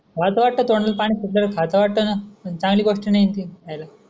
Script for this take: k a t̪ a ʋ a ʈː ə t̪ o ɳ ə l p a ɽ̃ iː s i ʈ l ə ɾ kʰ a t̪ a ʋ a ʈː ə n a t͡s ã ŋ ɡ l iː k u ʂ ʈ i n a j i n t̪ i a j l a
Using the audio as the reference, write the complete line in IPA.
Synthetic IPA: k a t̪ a ʋ a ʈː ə t̪ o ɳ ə l p a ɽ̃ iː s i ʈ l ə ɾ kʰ a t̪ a ʋ a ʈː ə n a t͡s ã ŋ ɡ l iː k o ʂ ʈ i n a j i n t̪ i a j l a